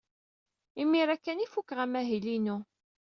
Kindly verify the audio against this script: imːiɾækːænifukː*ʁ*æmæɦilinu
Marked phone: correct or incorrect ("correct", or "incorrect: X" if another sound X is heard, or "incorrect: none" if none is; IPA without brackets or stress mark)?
correct